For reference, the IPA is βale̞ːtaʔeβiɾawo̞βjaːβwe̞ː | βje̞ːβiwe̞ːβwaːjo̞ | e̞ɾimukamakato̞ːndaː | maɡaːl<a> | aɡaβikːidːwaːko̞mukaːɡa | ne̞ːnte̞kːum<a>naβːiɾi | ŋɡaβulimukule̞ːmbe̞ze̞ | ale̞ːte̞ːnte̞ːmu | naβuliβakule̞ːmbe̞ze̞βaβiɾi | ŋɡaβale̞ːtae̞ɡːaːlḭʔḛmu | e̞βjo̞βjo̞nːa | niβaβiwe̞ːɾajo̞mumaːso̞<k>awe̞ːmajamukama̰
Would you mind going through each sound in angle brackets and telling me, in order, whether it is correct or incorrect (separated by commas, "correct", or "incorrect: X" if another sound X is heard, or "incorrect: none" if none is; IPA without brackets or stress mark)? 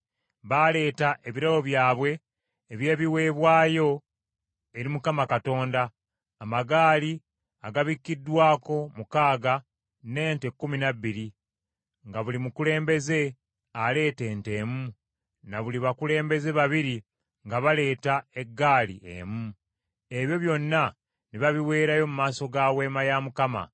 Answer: incorrect: i, incorrect: i, incorrect: ɡ